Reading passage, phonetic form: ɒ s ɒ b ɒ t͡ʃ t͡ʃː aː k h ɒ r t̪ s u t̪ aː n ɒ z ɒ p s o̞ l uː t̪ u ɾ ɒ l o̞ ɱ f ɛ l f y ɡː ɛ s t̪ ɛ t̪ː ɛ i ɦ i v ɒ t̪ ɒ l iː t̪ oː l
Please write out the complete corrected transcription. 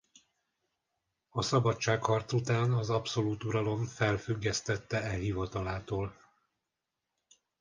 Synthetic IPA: ɒ s ɒ b ɒ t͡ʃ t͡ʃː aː k h ɒ r t̪ s u t̪ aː n ɒ z ɒ p s o̞ l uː t̪ u ɾ ɒ l o̞ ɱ f ɛ l f y ɡː ɛ s t̪ ɛ t̪ː ɛ ɛ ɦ i v ɒ t̪ ɒ l aː t̪ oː l